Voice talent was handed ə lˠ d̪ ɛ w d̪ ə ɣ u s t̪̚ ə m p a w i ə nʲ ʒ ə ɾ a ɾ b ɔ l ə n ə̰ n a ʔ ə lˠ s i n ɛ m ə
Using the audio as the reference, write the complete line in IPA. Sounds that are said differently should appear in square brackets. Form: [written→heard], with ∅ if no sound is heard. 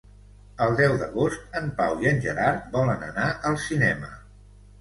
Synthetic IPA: ə lˠ d̪ ɛ w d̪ ə ɣ [u→o] s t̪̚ ə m p a w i ə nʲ ʒ ə ɾ a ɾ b ɔ l ə n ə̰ n a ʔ ə lˠ s i n ɛ m ə